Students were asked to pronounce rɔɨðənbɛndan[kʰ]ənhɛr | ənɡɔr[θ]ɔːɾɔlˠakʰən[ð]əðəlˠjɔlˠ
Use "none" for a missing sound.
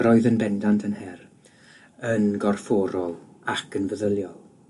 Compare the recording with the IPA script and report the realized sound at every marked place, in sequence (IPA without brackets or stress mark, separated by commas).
tʰ, f, v